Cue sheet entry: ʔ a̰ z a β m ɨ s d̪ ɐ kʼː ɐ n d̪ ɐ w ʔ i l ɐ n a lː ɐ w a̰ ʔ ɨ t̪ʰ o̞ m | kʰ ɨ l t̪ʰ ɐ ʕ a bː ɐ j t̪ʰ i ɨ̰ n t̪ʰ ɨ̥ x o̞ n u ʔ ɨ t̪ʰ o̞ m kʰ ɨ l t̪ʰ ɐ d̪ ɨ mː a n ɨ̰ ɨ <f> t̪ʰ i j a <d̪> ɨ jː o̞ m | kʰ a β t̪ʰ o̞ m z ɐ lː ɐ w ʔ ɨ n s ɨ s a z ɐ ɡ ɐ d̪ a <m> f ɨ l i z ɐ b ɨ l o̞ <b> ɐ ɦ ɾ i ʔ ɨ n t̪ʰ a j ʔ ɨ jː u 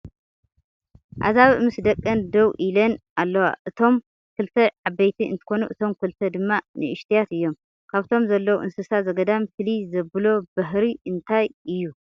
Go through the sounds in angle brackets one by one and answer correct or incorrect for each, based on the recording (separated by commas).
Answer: incorrect, incorrect, correct, correct